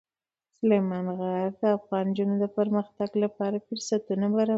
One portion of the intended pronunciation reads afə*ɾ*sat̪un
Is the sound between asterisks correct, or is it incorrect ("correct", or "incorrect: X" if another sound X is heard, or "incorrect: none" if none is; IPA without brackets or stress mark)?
correct